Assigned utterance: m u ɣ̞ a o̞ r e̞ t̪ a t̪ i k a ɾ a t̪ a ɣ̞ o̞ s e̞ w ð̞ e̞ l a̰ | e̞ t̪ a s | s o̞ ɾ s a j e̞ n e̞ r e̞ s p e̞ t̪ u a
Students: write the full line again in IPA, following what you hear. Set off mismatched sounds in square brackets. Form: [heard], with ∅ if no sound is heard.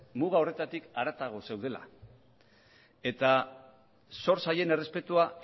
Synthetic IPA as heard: m u ɣ̞ a o̞ r e̞ t̪ a t̪ i k a ɾ a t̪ a ɣ̞ o̞ s e̞ w ð̞ e̞ l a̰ | e̞ t̪ a [∅] | s o̞ ɾ s a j e̞ n e̞ r e̞ s p e̞ t̪ u a